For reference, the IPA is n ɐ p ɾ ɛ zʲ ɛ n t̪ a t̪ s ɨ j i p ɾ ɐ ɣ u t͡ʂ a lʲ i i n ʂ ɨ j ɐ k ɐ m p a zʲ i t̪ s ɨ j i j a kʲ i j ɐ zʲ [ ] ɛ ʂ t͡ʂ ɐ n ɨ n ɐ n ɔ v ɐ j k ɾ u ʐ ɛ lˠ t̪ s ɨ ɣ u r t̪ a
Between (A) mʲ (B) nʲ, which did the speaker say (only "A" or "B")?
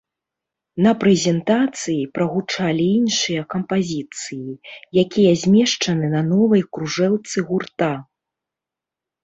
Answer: A